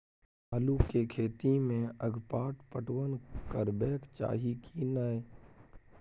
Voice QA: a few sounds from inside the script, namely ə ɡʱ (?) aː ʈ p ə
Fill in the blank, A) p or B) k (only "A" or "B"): A